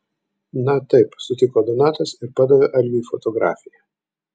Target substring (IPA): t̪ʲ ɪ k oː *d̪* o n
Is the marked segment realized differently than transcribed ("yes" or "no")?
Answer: no